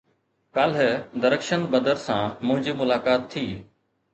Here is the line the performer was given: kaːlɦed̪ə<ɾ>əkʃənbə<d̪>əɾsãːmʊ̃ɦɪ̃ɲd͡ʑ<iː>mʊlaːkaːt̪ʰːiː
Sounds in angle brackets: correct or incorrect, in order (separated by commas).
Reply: correct, correct, correct